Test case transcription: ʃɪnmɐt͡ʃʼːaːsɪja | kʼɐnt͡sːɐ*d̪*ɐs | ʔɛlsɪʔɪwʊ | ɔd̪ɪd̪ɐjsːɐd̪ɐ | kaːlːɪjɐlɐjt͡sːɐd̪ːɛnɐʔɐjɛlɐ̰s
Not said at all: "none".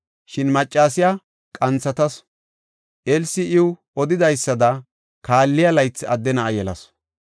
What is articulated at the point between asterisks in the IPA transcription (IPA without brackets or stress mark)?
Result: t̪